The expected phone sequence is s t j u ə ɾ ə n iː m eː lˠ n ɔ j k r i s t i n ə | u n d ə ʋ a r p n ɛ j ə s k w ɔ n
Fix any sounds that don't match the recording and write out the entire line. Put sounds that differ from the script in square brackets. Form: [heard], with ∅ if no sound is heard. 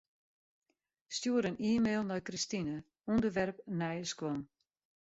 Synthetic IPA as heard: s t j u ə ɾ ə n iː m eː lˠ n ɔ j k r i s t i n ə | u n d ə ʋ [ɛ] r p n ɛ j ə s k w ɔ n